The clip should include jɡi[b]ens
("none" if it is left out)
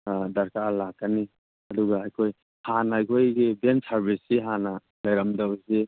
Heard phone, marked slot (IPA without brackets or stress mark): b